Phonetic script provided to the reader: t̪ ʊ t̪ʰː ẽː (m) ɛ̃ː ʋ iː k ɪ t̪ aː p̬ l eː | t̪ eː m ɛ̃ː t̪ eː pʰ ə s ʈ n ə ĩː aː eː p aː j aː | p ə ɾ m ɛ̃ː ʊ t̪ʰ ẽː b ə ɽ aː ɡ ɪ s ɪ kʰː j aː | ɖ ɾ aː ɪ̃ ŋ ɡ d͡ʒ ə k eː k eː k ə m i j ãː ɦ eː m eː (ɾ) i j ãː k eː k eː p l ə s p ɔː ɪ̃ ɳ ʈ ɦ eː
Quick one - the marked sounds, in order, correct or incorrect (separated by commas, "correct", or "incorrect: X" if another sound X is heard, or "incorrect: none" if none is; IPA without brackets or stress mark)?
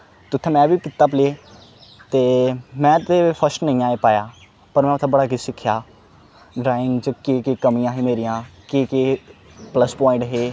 correct, correct